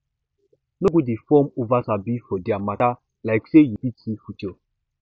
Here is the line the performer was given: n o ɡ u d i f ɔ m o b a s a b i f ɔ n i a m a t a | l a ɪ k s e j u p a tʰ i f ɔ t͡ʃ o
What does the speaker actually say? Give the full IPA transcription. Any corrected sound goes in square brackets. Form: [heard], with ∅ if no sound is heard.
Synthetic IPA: n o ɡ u d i f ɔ m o [v] a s a b i f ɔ [d] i a m a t a | l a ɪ k s e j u p [i] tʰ i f [u] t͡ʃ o